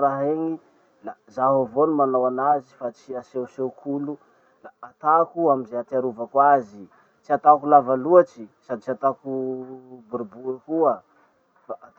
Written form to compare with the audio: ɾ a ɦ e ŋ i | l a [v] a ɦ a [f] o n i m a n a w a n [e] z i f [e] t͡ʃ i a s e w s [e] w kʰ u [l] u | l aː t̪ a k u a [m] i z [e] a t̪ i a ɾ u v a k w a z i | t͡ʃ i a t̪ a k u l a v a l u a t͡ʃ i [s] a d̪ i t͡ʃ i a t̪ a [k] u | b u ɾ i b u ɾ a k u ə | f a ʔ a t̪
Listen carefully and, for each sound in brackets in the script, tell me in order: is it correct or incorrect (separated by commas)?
incorrect, incorrect, incorrect, incorrect, correct, correct, correct, correct, correct, correct